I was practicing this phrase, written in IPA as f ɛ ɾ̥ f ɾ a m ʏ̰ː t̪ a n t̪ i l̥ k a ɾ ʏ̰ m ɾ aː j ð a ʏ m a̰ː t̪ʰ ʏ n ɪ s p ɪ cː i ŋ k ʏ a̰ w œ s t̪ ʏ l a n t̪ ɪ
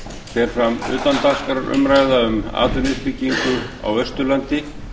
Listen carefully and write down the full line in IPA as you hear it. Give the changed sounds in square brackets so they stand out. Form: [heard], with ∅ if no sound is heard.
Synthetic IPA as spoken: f ɛ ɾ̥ f ɾ a m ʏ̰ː t̪ a n t̪ [a] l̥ k a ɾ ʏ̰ m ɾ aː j ð a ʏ m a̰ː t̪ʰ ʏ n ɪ s p ɪ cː i ŋ k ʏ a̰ w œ s t̪ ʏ l a n t̪ ɪ